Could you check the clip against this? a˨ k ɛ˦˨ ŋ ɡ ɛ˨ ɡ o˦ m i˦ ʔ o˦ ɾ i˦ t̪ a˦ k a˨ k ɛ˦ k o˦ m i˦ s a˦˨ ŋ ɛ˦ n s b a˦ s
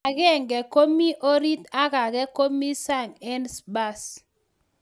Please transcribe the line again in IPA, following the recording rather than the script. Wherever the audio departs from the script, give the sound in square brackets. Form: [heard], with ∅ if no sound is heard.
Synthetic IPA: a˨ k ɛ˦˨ ŋ ɡ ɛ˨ [k] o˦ m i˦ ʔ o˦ ɾ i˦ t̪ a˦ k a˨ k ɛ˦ k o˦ m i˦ s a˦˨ ŋ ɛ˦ n s b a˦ s